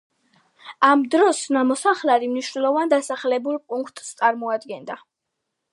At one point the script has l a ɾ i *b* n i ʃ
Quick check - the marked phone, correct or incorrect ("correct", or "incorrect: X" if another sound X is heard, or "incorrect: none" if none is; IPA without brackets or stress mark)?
incorrect: m